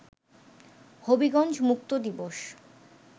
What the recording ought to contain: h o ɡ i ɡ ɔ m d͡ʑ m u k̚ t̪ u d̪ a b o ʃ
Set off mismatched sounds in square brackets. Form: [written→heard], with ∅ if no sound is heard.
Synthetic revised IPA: h o [ɡ→b] i ɡ ɔ [m→n] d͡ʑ m u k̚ t̪ [u→o] d̪ [a→i] b o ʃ